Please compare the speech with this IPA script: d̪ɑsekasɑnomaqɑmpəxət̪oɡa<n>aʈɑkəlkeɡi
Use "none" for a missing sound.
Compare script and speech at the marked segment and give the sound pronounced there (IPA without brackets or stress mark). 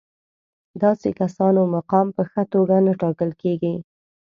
n